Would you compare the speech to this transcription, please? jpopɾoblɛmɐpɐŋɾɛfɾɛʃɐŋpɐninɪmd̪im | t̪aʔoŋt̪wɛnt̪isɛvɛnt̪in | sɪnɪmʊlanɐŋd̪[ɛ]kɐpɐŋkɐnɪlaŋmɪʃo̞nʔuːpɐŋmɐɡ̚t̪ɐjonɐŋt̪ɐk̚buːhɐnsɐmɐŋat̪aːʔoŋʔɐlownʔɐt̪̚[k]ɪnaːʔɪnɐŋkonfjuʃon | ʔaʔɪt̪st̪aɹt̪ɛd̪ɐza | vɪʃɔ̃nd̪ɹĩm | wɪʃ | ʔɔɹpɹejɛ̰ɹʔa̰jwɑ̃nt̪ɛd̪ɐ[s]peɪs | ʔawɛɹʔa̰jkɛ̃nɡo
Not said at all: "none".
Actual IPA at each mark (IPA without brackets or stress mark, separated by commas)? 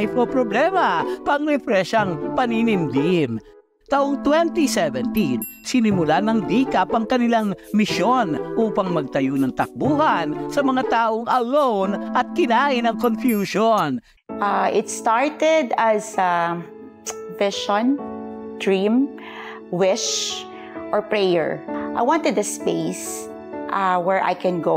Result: i, k, s